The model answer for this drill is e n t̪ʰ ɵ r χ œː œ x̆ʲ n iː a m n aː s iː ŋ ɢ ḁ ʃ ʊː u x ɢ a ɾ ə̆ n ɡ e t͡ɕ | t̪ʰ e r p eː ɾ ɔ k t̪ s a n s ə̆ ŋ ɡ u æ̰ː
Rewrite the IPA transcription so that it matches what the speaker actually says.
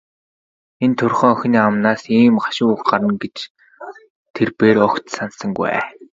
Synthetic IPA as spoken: e n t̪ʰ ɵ r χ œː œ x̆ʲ n iː a m n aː s iː m ɢ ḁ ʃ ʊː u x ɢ a ɾ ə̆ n ɡ e t͡ɕ | t̪ʰ e r p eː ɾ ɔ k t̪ s a n s ə̆ ŋ ɡ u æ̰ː